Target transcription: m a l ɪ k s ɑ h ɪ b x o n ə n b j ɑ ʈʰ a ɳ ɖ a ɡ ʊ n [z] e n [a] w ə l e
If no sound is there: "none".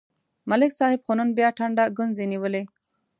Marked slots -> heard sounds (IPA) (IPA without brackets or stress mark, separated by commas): z, i